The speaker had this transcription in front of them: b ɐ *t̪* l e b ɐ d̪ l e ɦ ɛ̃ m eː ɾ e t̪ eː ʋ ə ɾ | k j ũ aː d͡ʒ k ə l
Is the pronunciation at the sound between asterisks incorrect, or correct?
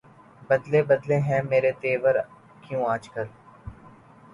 incorrect